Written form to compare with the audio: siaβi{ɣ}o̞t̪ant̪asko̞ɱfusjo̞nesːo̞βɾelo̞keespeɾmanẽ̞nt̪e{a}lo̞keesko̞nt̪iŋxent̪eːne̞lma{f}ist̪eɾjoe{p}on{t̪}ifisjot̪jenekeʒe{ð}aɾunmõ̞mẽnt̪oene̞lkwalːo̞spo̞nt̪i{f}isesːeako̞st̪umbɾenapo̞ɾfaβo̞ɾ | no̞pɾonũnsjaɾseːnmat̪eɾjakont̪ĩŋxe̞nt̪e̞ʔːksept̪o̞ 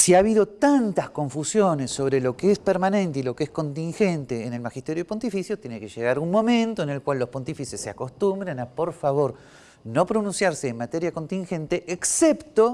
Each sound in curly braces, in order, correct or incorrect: incorrect: ð, incorrect: i, incorrect: x, correct, correct, incorrect: ɣ, correct

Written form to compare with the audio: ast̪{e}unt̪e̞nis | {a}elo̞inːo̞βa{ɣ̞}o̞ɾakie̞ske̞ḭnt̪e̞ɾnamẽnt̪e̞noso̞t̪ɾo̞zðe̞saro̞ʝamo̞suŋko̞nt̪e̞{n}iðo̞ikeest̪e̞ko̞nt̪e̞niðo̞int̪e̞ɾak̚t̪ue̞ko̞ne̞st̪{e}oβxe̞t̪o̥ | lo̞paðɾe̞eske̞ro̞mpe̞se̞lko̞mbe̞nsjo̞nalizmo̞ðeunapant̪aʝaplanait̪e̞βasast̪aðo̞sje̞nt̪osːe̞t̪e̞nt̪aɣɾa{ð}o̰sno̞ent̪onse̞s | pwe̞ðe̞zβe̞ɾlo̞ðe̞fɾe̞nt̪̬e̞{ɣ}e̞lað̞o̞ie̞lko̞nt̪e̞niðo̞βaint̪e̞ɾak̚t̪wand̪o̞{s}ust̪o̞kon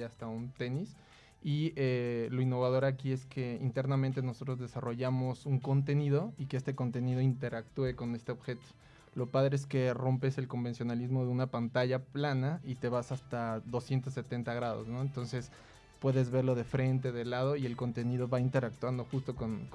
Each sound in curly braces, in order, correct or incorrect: incorrect: a, incorrect: i, incorrect: ð̞, correct, correct, correct, incorrect: ð, incorrect: x

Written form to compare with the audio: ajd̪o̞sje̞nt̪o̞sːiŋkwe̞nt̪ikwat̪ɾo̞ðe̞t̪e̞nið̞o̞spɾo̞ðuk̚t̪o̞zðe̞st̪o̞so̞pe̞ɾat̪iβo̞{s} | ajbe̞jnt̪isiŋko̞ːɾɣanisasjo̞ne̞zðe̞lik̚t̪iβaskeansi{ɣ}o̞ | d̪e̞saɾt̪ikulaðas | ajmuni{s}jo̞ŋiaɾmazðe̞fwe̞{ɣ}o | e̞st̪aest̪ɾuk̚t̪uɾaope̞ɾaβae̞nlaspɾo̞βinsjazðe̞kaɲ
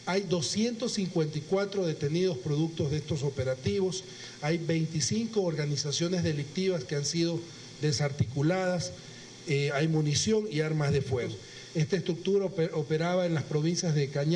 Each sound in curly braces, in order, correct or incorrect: correct, incorrect: ð, correct, correct

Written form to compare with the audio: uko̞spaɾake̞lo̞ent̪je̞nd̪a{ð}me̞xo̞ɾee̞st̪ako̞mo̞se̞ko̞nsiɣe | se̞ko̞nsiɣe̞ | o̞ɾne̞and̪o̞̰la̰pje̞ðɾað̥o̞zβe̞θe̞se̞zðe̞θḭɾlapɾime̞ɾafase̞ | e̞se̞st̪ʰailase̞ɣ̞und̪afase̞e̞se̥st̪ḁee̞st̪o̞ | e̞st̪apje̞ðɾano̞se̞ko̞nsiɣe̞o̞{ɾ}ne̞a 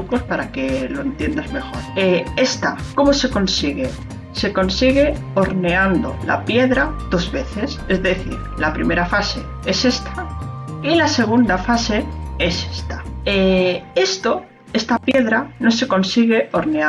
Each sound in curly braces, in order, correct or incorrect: incorrect: z, correct

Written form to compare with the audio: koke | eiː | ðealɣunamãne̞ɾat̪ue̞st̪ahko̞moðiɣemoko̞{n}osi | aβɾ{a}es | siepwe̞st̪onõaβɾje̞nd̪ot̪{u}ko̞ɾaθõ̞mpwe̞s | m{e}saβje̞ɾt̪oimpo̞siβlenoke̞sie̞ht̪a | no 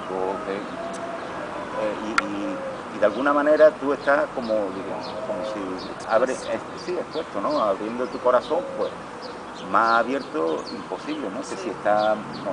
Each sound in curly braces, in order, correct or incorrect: incorrect: m, incorrect: e, correct, incorrect: a

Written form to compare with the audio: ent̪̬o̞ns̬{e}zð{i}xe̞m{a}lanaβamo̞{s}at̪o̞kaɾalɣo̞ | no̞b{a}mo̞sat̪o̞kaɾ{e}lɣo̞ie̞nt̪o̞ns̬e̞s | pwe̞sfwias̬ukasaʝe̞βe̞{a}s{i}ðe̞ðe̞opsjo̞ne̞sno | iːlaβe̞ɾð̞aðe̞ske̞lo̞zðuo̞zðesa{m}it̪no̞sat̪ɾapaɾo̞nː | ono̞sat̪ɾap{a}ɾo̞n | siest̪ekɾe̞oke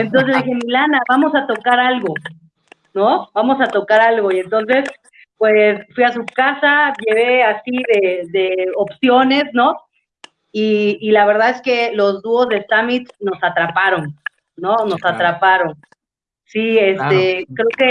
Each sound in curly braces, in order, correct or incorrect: correct, correct, incorrect: i, correct, correct, incorrect: a, correct, correct, correct, correct

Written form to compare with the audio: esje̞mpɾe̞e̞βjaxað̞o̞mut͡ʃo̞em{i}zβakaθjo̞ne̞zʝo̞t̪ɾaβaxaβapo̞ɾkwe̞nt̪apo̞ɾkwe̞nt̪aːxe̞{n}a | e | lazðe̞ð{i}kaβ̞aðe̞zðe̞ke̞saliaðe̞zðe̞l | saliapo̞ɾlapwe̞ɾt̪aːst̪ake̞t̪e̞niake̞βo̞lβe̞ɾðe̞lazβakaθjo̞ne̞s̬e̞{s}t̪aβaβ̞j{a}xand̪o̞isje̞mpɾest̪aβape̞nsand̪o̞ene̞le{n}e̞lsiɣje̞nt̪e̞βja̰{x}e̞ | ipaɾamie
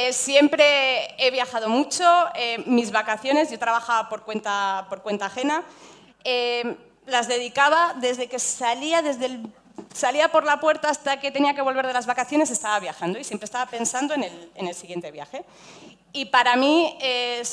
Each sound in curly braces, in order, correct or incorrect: correct, correct, correct, correct, correct, correct, correct

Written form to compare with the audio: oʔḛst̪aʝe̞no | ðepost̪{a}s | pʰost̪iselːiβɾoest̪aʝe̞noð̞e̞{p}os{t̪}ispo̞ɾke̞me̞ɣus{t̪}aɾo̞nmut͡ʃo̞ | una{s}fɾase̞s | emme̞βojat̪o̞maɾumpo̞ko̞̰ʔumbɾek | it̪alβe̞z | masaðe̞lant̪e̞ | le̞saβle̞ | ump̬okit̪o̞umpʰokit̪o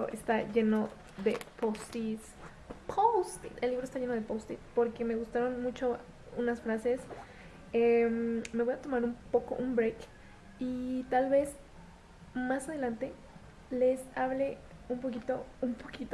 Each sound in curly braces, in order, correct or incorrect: incorrect: i, correct, correct, correct, correct

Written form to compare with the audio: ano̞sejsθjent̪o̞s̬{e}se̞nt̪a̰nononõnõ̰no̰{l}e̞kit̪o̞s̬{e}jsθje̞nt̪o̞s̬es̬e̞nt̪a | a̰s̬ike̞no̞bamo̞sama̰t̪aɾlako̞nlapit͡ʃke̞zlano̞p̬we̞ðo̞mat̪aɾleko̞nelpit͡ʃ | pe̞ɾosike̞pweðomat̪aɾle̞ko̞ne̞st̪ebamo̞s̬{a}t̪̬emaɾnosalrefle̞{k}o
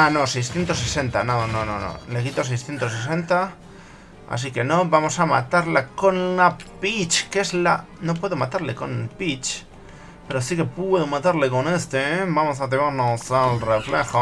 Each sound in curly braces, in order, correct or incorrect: correct, correct, correct, correct, incorrect: x

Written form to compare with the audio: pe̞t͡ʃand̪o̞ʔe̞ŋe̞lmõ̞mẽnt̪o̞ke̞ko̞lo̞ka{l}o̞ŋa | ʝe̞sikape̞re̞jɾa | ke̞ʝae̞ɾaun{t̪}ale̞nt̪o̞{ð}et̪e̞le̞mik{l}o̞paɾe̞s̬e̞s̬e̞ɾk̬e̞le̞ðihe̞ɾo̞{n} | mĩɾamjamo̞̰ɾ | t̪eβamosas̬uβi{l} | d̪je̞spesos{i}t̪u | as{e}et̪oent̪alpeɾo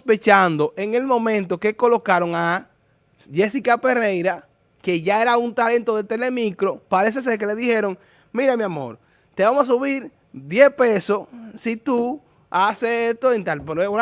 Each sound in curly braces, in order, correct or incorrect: incorrect: ɾ, correct, correct, incorrect: ɾ, incorrect: ŋ, incorrect: ɾ, correct, correct

